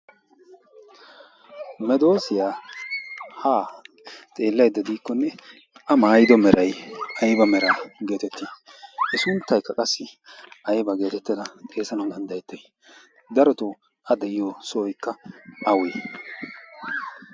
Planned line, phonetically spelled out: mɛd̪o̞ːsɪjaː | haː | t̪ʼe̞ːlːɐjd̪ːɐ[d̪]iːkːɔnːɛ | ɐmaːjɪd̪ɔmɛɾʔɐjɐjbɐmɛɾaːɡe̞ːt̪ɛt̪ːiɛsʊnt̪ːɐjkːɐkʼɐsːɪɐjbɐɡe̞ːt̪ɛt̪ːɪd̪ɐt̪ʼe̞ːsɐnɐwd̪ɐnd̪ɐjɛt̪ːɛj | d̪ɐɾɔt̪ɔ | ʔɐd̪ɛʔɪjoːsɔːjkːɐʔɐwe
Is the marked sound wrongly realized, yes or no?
no